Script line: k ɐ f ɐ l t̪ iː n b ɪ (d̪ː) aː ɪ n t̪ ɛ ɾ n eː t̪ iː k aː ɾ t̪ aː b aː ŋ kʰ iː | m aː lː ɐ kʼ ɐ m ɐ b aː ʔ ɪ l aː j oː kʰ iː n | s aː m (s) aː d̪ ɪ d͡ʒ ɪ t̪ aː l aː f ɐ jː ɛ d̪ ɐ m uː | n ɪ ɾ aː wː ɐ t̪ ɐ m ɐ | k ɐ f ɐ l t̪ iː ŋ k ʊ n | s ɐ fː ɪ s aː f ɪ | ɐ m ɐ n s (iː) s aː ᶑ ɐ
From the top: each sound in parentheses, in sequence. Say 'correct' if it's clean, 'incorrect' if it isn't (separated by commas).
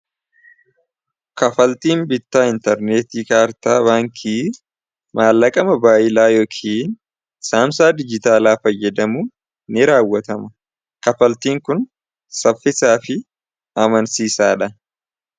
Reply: incorrect, correct, correct